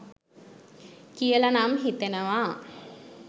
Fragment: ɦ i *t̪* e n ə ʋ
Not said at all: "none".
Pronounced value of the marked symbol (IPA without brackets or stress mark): t̪